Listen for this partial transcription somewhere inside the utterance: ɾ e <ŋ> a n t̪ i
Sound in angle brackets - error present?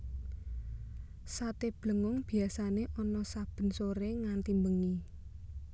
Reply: no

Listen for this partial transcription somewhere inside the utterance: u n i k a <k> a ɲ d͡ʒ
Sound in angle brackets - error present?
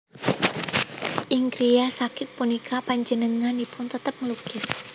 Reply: yes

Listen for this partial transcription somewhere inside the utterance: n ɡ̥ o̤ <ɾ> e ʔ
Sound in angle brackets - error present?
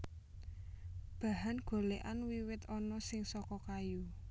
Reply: yes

